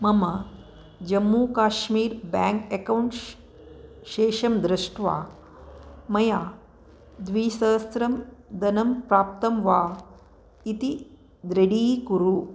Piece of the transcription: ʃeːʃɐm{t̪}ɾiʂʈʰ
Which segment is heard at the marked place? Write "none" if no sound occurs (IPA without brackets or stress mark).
d̪